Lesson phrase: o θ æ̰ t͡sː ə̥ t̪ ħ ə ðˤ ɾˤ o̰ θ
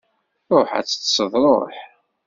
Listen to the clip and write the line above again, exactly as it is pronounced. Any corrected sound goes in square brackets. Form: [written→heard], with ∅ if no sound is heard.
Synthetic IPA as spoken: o [θ→ħ] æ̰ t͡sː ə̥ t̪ [ħ→s] ə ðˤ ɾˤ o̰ [θ→ħ]